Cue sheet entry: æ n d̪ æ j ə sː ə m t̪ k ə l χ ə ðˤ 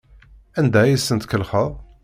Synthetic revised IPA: æ n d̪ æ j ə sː ə n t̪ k ə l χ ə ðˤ